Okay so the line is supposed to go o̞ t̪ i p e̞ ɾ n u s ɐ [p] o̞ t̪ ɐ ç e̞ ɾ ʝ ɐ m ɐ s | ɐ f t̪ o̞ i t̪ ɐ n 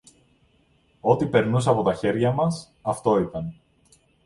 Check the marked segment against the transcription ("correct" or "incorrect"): correct